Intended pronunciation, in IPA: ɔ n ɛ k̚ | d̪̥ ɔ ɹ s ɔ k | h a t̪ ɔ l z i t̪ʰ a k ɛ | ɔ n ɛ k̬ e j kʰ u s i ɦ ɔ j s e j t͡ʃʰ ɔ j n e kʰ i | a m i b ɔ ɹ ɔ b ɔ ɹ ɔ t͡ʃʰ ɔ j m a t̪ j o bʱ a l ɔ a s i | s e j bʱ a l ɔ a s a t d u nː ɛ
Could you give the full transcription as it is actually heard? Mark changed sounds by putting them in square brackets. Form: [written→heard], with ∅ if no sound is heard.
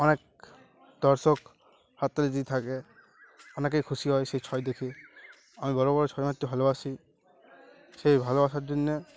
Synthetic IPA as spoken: ɔ n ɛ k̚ | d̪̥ ɔ ɹ s ɔ k | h a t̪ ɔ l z i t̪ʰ a k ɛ | ɔ n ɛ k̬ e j kʰ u s i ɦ ɔ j s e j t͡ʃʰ ɔ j [n→d] e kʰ i | a m i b ɔ ɹ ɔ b ɔ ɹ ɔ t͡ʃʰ ɔ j m a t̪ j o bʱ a l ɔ a s i | s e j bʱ a l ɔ a s a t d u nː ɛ